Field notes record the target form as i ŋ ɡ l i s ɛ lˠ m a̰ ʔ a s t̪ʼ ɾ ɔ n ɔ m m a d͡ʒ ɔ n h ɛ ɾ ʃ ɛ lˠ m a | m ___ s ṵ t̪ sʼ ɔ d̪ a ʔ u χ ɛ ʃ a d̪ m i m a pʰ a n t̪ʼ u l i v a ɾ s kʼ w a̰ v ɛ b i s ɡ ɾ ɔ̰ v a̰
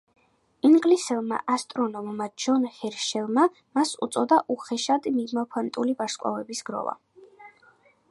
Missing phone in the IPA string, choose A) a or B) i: A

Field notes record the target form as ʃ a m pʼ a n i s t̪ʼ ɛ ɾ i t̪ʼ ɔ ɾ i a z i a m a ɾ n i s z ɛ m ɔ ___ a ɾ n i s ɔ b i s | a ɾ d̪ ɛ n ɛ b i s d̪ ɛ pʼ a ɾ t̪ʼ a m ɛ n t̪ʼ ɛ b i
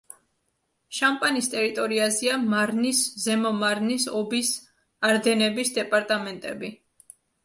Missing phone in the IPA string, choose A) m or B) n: A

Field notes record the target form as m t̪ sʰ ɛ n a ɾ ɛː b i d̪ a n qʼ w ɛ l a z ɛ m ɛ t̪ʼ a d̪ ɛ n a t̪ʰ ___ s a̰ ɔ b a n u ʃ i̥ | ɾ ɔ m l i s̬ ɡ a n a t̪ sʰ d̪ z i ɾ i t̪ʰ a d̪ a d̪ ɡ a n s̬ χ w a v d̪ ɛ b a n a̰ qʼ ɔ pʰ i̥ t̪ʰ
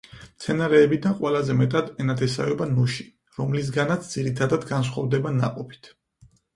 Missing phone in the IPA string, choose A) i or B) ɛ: B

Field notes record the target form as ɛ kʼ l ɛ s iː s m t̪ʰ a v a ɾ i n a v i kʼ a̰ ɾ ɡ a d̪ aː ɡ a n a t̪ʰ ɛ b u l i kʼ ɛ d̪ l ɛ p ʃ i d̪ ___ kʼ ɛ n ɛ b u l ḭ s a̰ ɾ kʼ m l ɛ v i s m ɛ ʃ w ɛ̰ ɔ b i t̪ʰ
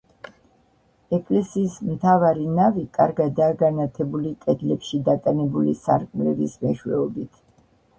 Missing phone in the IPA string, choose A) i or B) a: B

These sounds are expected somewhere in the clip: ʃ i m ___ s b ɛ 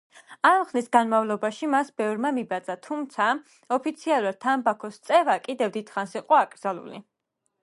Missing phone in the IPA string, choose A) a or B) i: A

